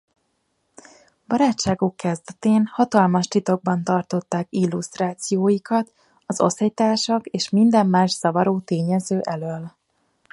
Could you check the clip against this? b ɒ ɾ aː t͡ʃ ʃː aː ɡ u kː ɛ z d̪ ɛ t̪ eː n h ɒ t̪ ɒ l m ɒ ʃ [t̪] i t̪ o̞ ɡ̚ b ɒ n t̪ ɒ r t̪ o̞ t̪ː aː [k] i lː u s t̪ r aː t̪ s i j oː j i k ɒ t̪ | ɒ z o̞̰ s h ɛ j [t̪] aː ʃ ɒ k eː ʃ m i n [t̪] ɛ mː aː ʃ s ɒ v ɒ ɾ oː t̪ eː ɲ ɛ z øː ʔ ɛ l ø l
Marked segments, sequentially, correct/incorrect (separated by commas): correct, correct, correct, incorrect